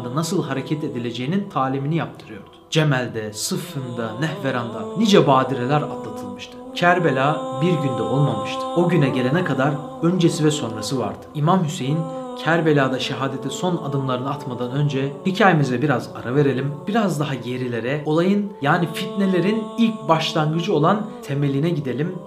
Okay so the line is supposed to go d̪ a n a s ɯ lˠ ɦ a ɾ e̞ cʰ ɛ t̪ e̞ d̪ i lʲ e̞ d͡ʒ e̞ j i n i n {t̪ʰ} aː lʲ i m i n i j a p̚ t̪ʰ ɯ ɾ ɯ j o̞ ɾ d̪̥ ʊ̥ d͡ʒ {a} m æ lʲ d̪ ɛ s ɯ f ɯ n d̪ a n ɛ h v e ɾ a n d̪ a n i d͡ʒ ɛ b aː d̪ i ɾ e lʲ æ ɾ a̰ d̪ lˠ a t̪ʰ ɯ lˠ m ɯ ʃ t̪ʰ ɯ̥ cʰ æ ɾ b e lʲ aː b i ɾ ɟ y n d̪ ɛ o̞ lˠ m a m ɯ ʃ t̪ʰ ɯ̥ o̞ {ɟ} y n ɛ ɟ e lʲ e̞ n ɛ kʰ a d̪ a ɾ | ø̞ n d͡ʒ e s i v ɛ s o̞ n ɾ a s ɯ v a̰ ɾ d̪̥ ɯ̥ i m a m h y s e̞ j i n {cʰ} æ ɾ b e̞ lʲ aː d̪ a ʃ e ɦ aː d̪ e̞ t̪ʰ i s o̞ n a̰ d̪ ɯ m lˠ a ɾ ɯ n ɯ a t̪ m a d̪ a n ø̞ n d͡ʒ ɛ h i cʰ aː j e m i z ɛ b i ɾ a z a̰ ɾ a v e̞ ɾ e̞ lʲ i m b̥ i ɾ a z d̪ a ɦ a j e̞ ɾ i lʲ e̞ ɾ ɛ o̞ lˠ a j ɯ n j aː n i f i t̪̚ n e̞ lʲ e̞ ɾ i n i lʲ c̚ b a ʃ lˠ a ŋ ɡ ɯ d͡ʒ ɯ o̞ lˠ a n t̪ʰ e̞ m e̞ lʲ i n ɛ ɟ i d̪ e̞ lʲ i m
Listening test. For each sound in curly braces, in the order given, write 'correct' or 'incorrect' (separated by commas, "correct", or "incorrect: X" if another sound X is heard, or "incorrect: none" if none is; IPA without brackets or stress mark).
correct, incorrect: e, correct, correct